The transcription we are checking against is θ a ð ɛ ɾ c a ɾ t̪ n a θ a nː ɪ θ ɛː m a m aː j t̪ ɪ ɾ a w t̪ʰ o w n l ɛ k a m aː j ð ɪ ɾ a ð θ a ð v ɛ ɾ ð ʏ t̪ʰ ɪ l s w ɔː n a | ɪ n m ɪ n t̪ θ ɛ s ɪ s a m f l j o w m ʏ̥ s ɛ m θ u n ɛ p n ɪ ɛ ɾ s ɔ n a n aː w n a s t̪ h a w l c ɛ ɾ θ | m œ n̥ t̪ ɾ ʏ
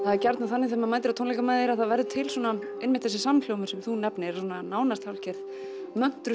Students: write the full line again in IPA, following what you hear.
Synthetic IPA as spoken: θ a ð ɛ ɾ c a ɾ t̪ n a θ a nː ɪ θ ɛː m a m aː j t̪ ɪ ɾ a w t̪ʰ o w n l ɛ k a m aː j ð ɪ ɾ a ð θ a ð v ɛ ɾ ð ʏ t̪ʰ ɪ l s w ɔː n a | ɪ n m ɪ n t̪ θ ɛ s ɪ s a m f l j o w m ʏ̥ s ɛ m θ u n ɛ p n ɪ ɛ ɾ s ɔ n a n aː w n a s t̪ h a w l c ɛ ɾ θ | m œ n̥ t̪ ɾ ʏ